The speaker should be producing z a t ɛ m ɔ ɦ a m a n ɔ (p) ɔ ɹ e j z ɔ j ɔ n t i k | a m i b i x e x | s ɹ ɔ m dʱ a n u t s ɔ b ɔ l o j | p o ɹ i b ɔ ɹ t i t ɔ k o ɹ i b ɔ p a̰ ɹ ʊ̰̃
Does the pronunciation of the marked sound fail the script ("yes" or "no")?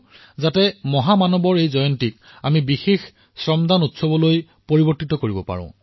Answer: yes